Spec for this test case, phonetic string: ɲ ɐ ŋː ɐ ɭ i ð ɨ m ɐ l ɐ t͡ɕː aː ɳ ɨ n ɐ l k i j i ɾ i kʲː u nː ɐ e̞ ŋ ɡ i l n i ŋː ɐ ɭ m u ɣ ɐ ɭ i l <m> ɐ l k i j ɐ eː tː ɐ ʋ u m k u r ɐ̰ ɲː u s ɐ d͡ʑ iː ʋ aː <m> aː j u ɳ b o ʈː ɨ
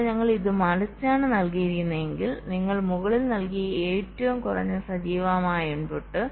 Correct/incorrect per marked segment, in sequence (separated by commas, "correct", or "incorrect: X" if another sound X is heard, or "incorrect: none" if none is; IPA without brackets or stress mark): incorrect: n, correct